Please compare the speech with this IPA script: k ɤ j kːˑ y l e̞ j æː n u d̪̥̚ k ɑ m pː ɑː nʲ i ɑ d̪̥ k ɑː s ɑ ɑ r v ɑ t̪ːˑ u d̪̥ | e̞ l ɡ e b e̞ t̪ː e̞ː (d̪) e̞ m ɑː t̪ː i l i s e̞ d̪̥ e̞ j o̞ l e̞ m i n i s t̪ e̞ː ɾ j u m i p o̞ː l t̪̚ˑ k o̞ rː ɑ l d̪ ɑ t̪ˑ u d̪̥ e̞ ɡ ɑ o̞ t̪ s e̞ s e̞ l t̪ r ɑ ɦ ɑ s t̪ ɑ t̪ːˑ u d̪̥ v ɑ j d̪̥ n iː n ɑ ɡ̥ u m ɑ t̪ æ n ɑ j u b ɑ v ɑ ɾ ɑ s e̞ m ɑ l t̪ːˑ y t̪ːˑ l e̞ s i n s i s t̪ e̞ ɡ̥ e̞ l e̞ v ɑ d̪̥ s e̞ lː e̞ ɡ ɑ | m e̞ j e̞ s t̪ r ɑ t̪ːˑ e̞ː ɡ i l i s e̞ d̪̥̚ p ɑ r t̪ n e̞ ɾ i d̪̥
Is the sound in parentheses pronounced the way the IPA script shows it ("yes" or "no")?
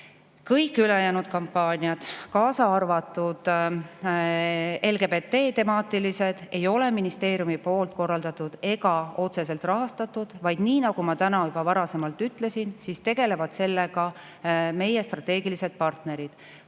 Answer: no